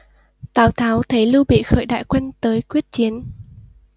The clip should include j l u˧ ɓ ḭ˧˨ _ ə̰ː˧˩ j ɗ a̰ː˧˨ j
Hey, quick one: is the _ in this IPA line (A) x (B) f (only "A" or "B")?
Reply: A